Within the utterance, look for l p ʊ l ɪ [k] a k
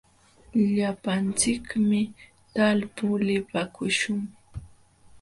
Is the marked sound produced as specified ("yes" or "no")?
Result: no